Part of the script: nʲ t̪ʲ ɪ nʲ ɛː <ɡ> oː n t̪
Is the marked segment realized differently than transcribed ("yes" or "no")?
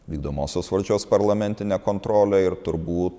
yes